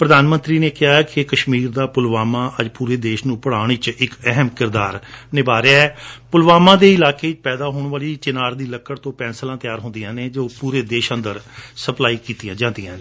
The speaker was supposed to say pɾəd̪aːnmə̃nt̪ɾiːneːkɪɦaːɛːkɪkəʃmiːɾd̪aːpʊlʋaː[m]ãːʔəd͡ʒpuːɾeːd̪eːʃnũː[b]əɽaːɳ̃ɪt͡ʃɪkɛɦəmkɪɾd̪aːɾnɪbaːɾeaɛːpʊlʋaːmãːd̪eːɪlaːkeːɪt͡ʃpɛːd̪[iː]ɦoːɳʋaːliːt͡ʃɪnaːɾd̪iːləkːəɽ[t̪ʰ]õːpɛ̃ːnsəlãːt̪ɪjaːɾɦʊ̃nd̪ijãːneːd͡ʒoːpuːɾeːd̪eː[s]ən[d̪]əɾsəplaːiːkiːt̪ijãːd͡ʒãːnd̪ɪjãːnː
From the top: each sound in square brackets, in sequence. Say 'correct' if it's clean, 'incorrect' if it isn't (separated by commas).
correct, incorrect, incorrect, incorrect, incorrect, correct